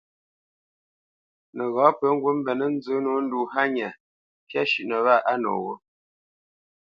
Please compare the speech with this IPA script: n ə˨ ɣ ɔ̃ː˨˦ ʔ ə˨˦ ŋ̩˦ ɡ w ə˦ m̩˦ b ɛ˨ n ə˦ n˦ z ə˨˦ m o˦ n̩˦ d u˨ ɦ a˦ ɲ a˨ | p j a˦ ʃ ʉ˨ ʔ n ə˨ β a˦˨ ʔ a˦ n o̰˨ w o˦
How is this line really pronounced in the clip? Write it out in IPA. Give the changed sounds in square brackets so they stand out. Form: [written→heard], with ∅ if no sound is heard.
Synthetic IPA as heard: n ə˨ ɣ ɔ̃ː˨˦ [ʔ→p] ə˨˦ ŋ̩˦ ɡ w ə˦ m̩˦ b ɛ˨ n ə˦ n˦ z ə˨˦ [m→n] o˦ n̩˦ d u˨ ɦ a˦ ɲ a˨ | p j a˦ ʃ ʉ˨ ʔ n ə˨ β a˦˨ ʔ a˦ n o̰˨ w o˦